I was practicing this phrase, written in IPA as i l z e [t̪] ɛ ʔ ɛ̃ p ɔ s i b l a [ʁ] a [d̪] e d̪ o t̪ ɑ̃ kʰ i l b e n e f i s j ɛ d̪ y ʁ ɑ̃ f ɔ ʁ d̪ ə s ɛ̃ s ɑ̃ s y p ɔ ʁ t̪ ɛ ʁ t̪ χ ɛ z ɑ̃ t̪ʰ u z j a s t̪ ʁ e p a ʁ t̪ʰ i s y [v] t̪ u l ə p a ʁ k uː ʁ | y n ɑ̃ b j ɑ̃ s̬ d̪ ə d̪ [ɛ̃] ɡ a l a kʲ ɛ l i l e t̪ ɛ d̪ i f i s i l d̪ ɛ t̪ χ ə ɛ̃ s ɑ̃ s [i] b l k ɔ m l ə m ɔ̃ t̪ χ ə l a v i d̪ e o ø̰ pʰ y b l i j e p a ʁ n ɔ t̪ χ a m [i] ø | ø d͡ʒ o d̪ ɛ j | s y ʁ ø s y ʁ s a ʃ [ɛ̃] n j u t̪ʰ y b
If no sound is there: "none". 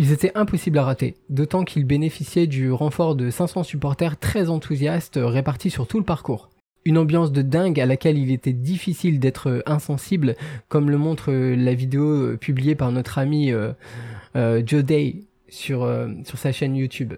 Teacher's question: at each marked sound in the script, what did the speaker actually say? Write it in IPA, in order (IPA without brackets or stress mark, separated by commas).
t̪, ʁ, t̪, ʁ, ɛ̃, i, i, ɛ